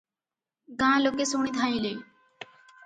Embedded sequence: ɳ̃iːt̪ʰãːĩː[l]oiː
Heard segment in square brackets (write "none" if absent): l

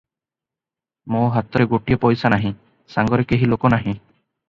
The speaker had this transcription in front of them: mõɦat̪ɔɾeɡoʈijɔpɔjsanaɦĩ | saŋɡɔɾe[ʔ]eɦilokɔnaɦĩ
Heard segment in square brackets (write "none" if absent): k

